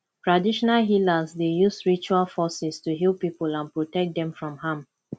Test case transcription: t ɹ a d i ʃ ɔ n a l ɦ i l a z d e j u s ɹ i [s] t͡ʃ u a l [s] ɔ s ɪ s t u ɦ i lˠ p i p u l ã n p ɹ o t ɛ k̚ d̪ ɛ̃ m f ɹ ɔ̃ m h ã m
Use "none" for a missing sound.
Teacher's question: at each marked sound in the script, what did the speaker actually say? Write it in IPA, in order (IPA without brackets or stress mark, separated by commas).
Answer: none, f